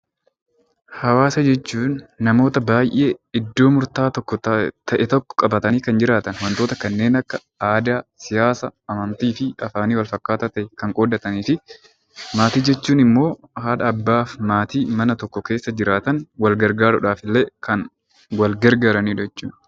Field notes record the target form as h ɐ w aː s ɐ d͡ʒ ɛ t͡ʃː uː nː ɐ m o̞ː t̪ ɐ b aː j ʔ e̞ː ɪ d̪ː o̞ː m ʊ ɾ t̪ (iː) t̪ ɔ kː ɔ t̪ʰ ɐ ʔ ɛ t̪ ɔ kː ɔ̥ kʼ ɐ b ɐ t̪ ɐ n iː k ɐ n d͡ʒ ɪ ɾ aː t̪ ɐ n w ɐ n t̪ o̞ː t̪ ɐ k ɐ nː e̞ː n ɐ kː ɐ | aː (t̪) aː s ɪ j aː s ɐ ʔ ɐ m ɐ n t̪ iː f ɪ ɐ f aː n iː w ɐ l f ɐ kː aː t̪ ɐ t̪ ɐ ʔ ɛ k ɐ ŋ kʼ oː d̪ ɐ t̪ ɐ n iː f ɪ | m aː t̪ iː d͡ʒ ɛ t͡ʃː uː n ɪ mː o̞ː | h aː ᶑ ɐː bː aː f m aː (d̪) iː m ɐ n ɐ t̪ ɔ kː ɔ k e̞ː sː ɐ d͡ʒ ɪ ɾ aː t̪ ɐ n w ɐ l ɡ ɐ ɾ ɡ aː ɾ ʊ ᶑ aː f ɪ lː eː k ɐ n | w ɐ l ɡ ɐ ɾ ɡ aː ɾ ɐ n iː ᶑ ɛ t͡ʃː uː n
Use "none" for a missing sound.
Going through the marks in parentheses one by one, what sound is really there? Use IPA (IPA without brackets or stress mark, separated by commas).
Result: aː, d̪, t̪